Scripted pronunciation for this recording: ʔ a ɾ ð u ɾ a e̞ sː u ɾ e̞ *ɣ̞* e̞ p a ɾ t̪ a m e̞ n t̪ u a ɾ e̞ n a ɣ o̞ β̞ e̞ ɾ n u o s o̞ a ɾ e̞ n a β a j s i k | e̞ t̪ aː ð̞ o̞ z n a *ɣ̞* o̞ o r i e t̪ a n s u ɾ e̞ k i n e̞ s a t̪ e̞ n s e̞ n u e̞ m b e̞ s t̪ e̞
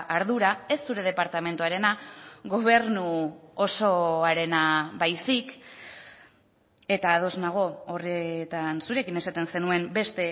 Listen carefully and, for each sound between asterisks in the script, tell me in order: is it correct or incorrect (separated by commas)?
incorrect, correct